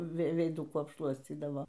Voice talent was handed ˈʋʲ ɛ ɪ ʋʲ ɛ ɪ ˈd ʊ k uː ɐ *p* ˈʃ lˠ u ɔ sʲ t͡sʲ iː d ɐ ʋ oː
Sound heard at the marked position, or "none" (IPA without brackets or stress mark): p